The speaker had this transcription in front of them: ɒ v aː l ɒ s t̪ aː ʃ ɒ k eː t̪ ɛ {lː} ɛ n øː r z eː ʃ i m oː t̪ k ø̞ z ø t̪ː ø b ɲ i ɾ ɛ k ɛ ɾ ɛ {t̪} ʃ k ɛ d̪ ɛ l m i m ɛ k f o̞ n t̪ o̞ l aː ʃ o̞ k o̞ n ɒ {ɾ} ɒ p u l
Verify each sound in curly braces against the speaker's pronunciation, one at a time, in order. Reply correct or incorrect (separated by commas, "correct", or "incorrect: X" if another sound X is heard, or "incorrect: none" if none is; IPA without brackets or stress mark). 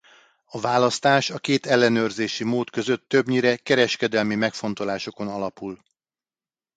correct, incorrect: none, incorrect: l